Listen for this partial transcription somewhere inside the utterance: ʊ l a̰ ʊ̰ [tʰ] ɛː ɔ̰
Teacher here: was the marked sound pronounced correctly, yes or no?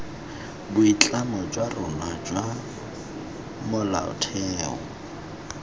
yes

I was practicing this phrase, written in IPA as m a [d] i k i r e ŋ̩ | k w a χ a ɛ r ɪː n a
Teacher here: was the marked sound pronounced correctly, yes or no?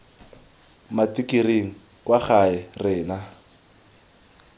no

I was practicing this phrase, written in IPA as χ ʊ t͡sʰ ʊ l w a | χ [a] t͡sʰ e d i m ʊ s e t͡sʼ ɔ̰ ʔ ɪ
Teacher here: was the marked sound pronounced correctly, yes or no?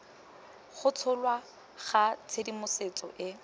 yes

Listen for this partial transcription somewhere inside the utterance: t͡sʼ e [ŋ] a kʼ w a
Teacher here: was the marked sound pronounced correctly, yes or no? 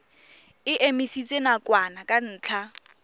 no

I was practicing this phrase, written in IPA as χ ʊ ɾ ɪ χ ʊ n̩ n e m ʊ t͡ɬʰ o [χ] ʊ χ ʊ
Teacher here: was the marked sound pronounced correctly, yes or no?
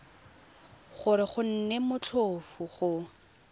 no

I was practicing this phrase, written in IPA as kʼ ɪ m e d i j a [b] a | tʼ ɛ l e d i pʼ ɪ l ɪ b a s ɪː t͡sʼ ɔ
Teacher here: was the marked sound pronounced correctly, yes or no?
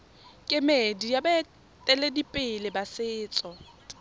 yes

